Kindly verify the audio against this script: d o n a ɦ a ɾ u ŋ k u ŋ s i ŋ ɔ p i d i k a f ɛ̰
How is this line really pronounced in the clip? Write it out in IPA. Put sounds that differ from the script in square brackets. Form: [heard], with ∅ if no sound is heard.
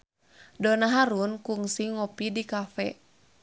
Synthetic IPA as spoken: d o n a ɦ a ɾ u [n] k u ŋ s i ŋ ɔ p i d i k a f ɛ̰